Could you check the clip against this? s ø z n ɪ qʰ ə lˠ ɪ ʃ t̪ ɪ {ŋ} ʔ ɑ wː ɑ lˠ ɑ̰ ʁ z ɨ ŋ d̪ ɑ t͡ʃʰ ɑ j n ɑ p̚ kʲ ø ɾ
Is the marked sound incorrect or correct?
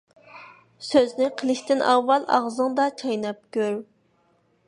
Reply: incorrect: n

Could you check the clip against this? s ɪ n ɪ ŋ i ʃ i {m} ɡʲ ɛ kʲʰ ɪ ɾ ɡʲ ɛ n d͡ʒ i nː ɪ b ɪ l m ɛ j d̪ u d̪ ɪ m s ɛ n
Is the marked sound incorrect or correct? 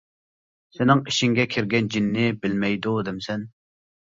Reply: incorrect: ŋ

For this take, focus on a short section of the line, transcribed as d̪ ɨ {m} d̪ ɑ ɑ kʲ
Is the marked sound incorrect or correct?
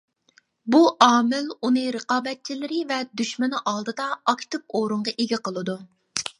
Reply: incorrect: none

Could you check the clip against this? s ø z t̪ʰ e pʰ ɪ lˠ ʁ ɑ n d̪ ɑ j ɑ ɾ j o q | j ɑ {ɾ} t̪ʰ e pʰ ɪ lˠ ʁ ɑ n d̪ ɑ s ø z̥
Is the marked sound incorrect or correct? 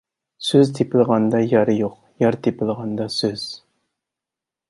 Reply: correct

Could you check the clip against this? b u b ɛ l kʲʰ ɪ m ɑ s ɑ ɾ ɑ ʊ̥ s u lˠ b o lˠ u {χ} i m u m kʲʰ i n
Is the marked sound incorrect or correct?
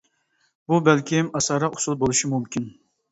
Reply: incorrect: ʃ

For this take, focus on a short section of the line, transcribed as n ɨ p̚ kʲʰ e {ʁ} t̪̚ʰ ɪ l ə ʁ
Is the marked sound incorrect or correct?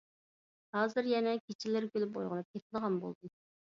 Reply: incorrect: none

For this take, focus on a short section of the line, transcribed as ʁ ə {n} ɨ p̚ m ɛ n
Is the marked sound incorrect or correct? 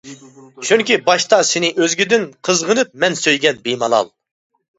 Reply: correct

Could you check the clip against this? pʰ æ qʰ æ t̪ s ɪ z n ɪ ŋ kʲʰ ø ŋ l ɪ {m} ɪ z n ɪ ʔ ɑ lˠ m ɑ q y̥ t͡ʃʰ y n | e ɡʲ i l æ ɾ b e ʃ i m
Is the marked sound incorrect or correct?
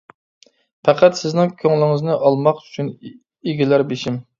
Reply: incorrect: ŋ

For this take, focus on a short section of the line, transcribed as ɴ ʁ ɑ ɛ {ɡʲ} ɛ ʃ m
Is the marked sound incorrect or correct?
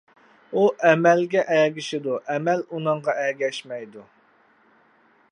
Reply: correct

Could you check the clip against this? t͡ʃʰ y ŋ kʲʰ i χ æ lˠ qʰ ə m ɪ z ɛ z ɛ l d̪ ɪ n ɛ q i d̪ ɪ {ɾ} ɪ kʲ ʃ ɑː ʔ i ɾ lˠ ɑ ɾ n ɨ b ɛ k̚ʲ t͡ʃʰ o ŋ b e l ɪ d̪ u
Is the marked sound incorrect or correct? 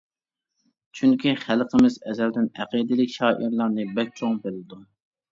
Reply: incorrect: l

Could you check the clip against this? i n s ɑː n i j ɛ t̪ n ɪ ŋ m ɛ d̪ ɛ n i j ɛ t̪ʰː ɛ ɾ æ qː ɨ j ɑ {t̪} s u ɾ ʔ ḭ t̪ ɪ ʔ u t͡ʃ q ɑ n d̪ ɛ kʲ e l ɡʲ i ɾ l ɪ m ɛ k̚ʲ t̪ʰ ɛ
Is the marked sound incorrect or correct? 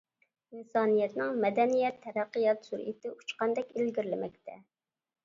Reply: correct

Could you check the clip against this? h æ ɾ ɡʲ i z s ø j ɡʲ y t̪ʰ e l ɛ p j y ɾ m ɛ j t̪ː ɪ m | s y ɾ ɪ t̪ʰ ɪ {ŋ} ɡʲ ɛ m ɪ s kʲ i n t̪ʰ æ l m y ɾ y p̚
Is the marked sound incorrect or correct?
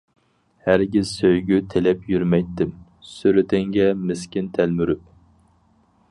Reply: correct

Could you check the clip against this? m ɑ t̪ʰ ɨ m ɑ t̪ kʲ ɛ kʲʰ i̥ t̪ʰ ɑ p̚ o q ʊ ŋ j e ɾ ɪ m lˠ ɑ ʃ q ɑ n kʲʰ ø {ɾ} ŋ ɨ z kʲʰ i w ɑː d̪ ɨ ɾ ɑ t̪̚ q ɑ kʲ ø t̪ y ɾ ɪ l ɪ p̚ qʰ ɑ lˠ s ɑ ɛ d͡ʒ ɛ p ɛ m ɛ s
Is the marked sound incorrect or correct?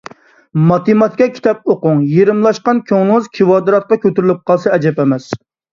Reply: incorrect: none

